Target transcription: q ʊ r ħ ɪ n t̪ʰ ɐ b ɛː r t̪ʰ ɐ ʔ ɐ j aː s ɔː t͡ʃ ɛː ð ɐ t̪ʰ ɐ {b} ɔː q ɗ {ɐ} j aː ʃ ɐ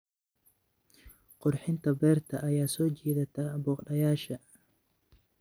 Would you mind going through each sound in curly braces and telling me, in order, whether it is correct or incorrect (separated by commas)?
correct, correct